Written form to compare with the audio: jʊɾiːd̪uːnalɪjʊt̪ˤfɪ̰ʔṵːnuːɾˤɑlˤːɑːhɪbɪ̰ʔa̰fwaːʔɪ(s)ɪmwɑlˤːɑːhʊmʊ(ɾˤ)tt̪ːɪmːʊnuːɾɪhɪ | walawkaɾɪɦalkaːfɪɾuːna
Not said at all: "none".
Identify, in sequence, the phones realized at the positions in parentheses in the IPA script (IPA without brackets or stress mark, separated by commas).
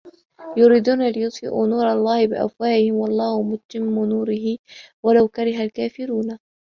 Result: h, none